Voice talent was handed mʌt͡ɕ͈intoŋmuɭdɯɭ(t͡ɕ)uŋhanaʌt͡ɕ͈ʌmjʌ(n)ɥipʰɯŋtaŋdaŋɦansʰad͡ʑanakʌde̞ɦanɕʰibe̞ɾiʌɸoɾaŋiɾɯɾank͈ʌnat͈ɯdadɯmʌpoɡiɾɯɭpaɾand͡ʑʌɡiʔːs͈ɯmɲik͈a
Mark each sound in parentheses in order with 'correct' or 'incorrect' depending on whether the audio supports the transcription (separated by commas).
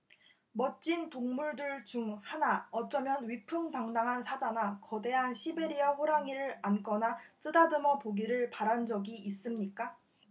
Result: correct, correct